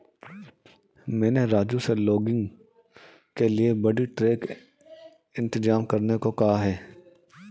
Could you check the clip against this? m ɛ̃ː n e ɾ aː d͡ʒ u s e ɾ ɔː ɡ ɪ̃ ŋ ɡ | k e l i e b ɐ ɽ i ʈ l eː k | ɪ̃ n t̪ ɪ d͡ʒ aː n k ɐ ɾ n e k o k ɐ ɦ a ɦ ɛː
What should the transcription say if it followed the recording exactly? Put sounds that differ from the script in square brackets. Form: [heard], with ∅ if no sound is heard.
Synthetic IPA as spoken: m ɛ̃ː n e ɾ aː d͡ʒ u s e [l] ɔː ɡ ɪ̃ ŋ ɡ | k e l i e b ɐ ɽ i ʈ [ɾ] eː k | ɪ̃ n t̪ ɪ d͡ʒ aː [m] k ɐ ɾ n e k o k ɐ ɦ a ɦ ɛː